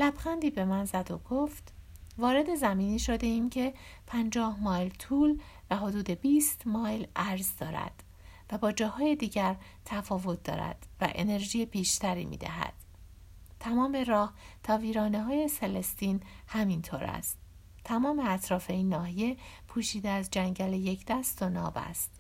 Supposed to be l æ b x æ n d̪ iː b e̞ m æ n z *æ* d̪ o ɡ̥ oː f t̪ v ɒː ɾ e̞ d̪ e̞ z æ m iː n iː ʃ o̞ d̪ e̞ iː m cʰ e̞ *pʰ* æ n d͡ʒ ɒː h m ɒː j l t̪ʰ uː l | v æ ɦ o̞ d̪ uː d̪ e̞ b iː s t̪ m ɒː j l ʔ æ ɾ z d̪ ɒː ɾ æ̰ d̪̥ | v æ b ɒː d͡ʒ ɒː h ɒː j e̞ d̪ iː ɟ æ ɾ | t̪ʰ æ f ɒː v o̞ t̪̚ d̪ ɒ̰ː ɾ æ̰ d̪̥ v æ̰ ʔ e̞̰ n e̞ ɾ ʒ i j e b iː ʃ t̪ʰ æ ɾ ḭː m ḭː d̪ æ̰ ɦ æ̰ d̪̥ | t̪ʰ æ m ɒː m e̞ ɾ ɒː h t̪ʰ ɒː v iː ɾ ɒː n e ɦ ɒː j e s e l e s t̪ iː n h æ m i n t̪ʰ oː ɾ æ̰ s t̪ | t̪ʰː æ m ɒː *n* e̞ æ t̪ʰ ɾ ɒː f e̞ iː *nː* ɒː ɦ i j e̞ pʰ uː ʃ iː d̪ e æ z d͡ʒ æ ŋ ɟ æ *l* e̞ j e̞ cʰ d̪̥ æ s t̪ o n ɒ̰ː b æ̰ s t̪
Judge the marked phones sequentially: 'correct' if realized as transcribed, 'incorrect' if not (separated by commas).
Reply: correct, correct, incorrect, correct, correct